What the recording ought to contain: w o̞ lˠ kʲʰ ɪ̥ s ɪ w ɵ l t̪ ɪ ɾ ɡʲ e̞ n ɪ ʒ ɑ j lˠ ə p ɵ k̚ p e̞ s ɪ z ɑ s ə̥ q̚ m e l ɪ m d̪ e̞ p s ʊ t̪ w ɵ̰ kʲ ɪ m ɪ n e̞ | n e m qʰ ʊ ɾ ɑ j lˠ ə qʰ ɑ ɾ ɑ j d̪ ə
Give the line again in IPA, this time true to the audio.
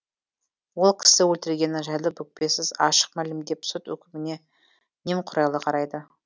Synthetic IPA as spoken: w o̞ lˠ kʲʰ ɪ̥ s ɪ w ɵ l t̪ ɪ ɾ ɡʲ e̞ n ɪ ʒ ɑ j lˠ ə p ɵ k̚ p e̞ s ɪ z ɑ ʃ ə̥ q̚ m æ l ɪ m d̪ e̞ p s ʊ t̪ w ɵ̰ kʲ ɪ m ɪ n e̞ | n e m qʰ ʊ ɾ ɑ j lˠ ə qʰ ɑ ɾ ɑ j d̪ ə